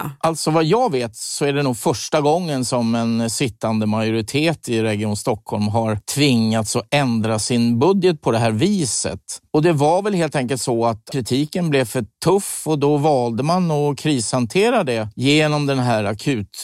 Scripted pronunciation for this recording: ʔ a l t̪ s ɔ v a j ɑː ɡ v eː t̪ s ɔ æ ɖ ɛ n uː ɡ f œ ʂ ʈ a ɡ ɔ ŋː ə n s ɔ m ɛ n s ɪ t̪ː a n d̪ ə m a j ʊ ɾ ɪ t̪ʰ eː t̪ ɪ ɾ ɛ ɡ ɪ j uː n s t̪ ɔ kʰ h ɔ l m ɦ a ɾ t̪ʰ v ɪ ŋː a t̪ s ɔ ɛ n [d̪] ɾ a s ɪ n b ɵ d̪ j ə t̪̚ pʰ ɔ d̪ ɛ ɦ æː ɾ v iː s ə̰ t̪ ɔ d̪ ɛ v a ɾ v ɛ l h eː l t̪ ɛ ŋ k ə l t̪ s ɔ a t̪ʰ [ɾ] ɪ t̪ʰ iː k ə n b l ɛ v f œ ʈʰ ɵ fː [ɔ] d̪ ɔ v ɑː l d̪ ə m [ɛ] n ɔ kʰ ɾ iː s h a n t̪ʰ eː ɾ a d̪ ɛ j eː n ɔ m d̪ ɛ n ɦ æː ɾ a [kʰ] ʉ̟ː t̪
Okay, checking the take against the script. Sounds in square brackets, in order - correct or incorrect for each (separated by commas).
correct, correct, correct, incorrect, correct